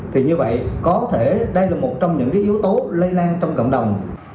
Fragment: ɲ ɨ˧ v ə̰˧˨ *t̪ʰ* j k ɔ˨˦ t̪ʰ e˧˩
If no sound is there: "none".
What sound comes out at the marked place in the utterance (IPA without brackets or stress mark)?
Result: none